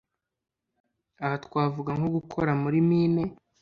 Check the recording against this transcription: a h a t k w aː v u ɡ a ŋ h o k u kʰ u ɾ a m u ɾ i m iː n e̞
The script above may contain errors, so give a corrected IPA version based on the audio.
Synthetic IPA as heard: a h a t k w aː v u ɡ a ŋ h o ɡ u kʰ o ɾ a m u ɾ i m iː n e̞